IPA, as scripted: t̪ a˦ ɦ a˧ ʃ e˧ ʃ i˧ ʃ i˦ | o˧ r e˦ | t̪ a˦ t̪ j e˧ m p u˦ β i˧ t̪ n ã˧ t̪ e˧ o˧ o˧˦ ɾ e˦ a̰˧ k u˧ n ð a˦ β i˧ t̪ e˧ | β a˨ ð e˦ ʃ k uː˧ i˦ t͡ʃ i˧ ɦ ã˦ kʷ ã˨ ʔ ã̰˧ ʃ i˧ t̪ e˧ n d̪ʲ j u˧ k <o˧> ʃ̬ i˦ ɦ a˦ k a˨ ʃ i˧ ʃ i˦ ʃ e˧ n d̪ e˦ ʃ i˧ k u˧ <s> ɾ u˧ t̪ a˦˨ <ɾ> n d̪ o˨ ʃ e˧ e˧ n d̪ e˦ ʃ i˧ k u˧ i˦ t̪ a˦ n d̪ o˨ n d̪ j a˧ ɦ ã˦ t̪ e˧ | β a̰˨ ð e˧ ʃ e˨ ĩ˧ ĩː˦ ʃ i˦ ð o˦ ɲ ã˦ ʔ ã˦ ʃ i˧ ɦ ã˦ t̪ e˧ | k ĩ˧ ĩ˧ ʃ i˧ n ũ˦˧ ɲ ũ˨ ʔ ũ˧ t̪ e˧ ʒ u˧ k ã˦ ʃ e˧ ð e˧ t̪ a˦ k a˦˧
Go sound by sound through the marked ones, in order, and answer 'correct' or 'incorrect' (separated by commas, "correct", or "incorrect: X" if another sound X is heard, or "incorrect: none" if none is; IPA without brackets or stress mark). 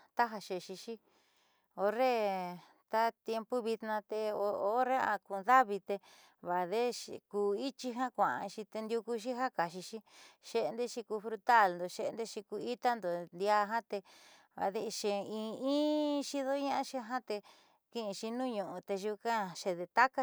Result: incorrect: u˧, incorrect: f, incorrect: l